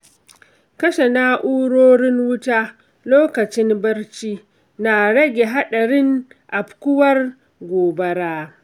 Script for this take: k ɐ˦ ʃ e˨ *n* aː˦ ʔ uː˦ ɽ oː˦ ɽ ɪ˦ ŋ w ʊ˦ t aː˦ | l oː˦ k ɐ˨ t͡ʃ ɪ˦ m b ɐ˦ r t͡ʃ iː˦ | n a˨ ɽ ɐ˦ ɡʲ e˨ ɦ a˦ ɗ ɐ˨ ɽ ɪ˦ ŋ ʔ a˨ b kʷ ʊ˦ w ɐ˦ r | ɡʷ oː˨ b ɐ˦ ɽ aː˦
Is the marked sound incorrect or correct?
correct